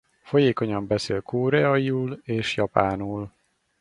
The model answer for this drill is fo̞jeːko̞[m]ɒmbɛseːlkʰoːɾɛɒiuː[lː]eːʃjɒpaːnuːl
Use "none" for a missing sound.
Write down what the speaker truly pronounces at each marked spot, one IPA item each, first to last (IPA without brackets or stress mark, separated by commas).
ɲ, l